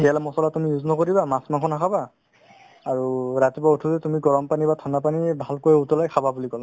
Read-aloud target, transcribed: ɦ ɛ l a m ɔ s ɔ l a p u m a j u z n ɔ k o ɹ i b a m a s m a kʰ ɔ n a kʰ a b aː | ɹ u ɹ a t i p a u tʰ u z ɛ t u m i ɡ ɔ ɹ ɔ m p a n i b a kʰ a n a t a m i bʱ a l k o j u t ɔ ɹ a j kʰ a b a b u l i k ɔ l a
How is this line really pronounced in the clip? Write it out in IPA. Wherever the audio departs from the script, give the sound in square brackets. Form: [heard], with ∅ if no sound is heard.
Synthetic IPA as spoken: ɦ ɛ l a m ɔ s ɔ l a [t] u m [i] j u z n ɔ k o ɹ i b a m a s m a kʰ ɔ n a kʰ a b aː | ɹ u ɹ a t i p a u tʰ u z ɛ t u m i ɡ ɔ ɹ ɔ m p a n i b a [tʰ] a n a [p] a [n] i bʱ a l k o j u t ɔ [l] a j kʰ a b a b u l i k ɔ l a